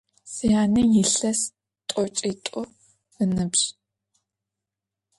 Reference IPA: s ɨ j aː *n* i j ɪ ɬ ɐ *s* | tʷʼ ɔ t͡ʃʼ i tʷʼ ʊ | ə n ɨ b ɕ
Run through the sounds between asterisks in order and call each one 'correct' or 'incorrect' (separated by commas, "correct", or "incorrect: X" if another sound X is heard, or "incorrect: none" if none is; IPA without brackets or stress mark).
correct, correct